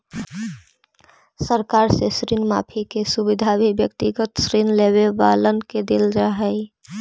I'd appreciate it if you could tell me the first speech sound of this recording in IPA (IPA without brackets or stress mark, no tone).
s